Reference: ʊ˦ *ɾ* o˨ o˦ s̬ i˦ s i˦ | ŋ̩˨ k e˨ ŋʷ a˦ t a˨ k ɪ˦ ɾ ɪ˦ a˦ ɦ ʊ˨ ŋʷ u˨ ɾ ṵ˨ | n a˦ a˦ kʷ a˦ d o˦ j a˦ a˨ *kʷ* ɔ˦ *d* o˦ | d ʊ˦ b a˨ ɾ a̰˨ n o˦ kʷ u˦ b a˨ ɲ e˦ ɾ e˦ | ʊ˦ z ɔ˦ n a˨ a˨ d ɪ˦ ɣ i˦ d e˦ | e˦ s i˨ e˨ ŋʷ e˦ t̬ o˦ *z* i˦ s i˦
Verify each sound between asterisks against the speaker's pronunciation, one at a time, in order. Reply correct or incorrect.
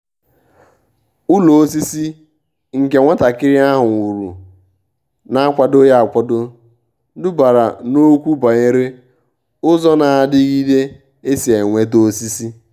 incorrect, correct, correct, incorrect

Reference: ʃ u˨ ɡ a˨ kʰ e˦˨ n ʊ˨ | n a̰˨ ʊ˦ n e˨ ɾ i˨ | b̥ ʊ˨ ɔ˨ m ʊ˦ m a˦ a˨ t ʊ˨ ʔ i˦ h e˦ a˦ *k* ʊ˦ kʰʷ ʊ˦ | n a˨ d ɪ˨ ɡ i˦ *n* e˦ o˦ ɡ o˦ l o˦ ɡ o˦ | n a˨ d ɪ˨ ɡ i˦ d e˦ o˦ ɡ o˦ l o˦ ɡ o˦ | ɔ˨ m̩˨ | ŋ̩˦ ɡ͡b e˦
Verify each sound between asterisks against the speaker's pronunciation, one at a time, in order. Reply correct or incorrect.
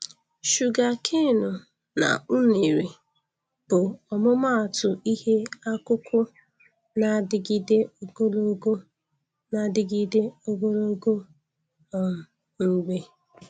correct, incorrect

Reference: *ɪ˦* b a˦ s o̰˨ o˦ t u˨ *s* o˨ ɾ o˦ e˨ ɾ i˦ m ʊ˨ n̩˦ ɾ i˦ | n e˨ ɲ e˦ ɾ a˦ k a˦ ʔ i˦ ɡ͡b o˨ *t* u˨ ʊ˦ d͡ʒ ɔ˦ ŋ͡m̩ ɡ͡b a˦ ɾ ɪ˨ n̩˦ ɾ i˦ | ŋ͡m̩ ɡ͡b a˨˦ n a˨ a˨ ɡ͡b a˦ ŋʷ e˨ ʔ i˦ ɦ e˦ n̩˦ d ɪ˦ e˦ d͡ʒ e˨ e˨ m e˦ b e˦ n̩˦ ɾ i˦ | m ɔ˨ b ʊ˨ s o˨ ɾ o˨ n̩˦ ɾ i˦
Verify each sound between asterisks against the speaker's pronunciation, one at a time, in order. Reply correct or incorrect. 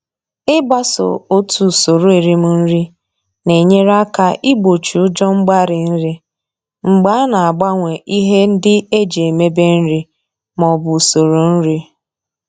correct, correct, incorrect

